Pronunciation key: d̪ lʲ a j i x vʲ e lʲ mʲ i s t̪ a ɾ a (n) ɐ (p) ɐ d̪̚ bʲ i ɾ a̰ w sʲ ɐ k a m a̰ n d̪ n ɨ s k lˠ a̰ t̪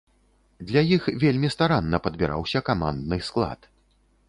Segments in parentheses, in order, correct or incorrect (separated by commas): incorrect, correct